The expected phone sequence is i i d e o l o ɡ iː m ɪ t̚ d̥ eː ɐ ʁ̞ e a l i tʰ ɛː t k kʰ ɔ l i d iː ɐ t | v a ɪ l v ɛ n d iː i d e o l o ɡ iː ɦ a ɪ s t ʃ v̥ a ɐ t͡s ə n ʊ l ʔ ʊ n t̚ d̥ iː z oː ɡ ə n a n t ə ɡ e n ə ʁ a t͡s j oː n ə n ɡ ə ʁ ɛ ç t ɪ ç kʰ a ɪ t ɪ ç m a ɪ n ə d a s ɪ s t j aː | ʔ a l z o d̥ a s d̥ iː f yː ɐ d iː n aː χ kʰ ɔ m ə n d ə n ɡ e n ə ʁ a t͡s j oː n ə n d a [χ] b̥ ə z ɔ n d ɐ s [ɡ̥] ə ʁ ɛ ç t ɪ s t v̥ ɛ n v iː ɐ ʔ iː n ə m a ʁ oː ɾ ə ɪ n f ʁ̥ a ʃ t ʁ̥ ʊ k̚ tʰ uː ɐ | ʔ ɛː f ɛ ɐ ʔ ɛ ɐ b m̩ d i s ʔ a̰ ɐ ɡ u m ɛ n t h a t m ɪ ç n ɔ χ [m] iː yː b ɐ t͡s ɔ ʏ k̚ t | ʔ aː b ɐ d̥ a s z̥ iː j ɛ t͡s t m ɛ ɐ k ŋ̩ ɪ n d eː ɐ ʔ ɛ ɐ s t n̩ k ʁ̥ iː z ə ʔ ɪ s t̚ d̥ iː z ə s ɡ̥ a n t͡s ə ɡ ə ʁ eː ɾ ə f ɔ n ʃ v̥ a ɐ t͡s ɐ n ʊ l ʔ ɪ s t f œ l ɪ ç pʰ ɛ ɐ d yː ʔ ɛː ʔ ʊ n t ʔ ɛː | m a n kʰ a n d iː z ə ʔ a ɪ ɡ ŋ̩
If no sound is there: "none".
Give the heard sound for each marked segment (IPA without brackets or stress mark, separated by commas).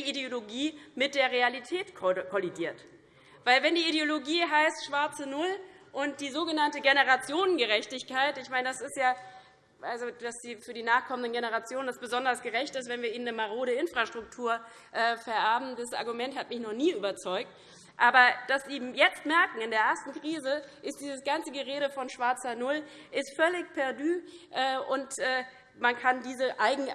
s, ɡ̥, n